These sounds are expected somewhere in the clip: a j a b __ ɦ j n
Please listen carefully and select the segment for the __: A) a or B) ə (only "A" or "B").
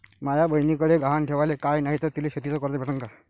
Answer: B